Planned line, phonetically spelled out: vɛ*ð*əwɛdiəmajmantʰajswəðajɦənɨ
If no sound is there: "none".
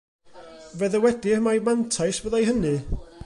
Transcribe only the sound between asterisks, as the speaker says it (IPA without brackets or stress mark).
ð